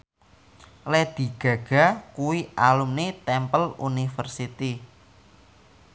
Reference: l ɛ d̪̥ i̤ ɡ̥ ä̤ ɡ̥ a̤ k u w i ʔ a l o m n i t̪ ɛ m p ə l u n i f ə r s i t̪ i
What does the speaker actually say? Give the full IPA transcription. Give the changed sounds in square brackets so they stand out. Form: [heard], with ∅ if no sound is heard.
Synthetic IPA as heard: l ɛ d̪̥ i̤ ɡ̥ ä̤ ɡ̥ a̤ k u w i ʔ a l [u] m n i t̪ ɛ m p ə l u n i f ə r s i t̪ i

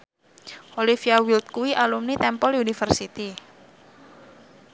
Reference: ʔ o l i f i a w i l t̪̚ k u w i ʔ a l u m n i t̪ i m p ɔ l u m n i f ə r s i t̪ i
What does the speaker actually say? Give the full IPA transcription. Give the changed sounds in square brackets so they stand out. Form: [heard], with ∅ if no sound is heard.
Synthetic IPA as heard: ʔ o l i f i a w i l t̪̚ k u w i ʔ a l u m n i t̪ [ɛ] m p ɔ l u [∅] n i f ə r s i t̪ i

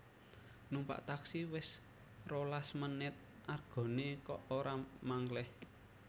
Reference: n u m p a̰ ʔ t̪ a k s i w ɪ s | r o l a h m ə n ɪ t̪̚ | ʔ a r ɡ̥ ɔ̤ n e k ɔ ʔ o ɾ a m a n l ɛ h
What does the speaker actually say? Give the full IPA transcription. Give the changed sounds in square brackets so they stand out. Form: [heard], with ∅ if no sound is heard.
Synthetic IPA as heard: n u m p a̰ ʔ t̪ a k s i w ɪ s | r o l a [s] m ə n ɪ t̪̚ | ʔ a r ɡ̥ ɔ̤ n e k ɔ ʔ o ɾ a m a [ŋ] l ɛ h

